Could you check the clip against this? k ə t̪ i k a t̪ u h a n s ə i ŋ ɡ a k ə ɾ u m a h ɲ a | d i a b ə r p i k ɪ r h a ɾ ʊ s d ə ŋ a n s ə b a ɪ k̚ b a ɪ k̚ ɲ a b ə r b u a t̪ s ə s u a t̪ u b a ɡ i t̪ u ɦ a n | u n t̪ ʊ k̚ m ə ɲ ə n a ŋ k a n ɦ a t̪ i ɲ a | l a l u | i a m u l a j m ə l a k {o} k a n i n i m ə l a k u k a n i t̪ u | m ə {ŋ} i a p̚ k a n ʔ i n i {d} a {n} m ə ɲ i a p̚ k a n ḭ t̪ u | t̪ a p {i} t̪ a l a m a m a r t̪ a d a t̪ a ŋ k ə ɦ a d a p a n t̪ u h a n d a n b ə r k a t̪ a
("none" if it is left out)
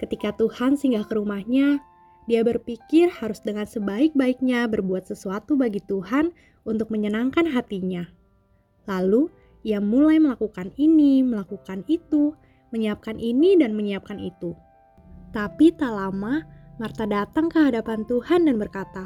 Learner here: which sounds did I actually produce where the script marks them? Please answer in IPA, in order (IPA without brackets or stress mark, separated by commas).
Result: u, ɲ, d, n, i